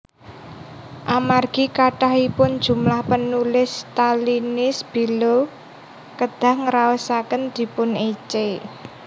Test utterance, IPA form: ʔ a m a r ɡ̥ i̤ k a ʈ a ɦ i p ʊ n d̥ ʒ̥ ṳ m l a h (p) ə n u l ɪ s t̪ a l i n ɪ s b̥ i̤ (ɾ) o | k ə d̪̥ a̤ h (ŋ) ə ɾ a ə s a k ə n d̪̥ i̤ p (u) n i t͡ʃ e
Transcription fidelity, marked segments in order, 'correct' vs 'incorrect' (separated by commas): correct, incorrect, correct, incorrect